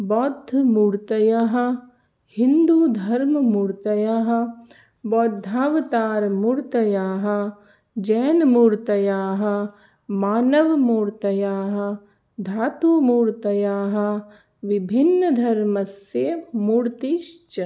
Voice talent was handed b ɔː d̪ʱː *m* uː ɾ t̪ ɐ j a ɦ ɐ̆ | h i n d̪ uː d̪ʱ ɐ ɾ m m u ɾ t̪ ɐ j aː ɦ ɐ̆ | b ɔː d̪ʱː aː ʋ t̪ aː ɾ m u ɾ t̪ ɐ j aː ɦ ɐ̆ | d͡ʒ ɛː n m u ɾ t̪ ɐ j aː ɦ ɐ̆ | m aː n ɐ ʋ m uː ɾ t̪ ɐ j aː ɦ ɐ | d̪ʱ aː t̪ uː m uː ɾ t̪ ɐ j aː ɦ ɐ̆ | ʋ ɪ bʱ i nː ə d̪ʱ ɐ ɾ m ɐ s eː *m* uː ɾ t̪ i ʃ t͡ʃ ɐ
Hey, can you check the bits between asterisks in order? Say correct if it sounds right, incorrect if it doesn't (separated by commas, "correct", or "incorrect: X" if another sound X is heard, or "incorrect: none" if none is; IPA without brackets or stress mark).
correct, correct